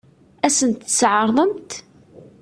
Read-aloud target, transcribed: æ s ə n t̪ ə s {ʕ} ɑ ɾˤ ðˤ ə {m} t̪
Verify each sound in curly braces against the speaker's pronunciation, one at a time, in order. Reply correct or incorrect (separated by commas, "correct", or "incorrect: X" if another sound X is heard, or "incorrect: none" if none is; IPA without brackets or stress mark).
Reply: correct, correct